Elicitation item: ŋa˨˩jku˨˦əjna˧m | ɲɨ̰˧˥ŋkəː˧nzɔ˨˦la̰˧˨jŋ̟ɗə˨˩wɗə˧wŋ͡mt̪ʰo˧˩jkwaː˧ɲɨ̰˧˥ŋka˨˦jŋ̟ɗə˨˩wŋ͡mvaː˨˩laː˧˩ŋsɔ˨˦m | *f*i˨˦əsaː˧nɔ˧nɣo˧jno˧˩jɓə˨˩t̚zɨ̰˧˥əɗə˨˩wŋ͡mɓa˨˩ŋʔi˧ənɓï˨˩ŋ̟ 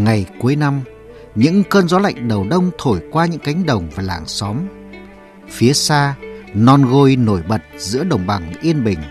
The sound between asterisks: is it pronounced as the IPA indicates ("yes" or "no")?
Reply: yes